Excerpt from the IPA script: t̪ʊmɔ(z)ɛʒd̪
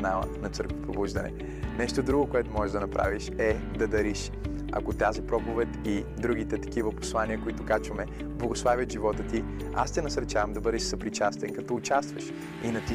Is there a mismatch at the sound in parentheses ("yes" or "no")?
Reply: yes